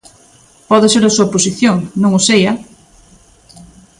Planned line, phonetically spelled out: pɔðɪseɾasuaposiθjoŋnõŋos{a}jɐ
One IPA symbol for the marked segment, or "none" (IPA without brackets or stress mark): e